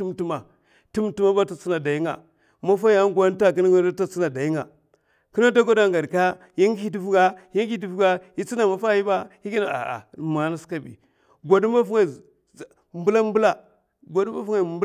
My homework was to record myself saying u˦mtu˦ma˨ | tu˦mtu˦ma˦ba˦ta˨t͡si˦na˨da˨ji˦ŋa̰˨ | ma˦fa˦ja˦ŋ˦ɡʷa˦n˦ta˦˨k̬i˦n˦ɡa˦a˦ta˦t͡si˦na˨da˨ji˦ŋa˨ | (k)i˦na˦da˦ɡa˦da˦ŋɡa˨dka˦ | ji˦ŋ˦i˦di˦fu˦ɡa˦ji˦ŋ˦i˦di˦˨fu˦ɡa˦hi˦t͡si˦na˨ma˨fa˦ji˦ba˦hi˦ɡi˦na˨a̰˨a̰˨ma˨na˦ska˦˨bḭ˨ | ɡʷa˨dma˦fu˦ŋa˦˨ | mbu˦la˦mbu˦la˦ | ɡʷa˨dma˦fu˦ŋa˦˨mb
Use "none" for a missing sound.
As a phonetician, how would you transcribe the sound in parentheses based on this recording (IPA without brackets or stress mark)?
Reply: k